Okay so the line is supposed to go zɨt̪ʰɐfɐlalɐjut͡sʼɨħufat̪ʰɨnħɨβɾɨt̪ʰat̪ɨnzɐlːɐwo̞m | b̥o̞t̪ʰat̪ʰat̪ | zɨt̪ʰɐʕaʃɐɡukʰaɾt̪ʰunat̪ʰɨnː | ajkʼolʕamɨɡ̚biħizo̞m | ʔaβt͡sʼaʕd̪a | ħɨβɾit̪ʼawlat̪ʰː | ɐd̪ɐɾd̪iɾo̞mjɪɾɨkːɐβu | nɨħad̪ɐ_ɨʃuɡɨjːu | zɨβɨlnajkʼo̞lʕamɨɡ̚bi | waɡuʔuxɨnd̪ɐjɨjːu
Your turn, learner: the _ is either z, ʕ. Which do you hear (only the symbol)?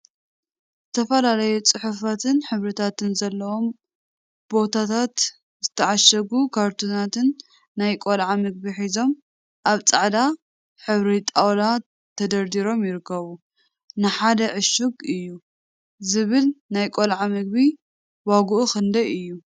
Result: ʕ